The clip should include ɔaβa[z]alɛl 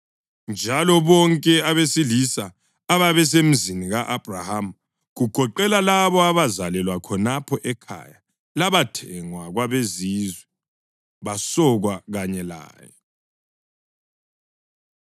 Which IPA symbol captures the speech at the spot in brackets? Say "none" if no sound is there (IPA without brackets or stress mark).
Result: z